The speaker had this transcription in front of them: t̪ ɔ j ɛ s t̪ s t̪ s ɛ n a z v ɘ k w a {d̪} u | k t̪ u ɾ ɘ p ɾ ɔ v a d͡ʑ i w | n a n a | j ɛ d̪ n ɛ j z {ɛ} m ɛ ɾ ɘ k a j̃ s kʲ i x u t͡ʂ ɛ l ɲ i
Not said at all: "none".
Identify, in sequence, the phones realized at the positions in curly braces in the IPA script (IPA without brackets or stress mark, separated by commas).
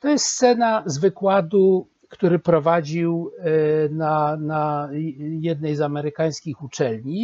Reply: d̪, a